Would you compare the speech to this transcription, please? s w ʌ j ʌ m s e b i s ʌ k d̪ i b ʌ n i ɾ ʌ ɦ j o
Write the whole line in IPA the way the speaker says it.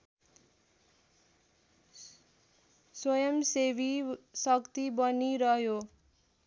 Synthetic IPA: s w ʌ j ʌ m s e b i s ʌ k t̪ i b ʌ n i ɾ ʌ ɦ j o